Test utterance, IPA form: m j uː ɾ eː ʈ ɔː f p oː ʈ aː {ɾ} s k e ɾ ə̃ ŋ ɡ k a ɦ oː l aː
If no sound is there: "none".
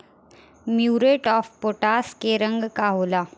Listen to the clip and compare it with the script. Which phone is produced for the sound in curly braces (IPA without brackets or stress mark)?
none